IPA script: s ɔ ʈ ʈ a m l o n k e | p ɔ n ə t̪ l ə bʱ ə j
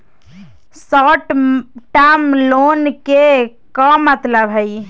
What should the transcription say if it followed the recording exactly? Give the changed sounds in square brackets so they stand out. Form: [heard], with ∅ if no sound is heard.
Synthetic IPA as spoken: s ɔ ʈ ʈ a m l o n k e | [k] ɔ [m] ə t̪ l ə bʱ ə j